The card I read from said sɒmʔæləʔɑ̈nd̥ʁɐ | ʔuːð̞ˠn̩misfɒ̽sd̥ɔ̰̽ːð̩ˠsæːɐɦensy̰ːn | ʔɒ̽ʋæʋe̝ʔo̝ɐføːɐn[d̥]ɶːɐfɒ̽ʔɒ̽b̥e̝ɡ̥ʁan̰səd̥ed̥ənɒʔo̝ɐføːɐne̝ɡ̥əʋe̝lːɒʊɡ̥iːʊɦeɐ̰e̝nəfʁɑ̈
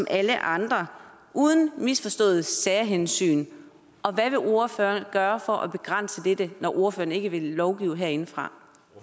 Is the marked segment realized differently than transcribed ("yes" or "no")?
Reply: yes